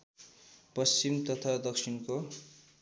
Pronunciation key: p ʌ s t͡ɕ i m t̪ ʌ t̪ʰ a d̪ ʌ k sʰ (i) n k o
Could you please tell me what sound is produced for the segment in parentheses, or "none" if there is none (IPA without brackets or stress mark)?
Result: i